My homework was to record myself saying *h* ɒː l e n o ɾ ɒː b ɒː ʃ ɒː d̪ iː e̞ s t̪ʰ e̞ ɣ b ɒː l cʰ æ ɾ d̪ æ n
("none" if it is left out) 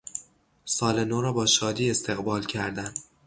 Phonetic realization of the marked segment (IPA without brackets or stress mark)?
s